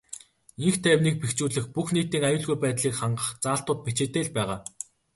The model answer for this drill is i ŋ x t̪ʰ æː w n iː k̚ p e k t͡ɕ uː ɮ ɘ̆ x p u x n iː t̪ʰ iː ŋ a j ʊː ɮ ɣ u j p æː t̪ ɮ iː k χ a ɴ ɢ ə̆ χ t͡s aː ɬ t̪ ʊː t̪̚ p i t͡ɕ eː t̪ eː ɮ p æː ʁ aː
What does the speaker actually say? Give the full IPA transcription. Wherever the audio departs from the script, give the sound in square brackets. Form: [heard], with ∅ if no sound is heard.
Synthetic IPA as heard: i ŋ x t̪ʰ æː w n iː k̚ p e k t͡ɕ uː ɮ ɘ̆ x p u x n iː [t̪] iː ŋ a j ʊː ɮ ɣ u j p æː t̪ ɮ iː k χ a ɴ ɢ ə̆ χ t͡s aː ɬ t̪ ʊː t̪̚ p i t͡ɕ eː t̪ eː ɮ p æː ʁ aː